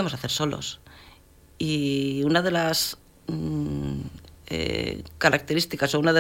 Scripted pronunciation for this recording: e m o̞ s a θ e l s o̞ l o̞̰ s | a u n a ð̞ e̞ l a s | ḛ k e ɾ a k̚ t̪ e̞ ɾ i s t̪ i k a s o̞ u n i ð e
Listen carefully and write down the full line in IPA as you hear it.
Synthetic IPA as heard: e m o̞ s a θ e ɾ s o̞ l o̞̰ s | i u n a ð̞ e̞ l a s | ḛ k a ɾ a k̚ t̪ e̞ ɾ i s t̪ i k a s o̞ u n a ð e